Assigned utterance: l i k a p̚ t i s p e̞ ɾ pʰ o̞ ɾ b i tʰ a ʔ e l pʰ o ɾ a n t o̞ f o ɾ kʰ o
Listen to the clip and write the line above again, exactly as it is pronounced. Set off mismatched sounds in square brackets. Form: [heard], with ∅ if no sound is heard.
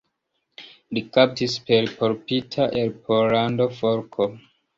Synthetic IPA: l i k a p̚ t i s p e̞ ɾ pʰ o̞ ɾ [p] i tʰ a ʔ e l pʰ o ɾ a n [d] o̞ f o ɾ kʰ o